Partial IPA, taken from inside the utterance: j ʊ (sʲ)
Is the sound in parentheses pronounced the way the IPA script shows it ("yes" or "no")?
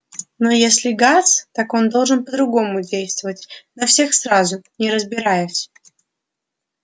yes